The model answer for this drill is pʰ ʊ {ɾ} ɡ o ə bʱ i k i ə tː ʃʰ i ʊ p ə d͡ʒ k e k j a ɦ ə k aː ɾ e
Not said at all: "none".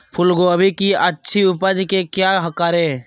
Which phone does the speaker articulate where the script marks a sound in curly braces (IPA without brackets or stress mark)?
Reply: l